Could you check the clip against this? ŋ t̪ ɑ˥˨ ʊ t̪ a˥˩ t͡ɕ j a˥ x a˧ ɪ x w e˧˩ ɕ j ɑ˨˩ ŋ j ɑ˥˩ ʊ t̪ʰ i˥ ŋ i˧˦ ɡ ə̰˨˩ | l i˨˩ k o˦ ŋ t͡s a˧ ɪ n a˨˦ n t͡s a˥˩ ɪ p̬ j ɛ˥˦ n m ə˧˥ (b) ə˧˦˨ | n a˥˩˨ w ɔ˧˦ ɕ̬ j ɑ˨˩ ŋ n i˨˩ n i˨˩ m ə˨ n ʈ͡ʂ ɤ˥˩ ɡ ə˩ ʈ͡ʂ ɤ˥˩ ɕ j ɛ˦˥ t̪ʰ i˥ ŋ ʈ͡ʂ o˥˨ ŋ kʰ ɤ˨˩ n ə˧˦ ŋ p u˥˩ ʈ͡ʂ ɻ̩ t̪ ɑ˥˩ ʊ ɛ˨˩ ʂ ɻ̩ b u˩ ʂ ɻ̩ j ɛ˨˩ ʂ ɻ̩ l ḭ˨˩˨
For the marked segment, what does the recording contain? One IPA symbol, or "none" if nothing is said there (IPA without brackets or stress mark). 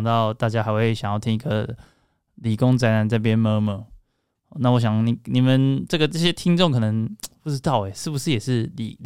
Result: m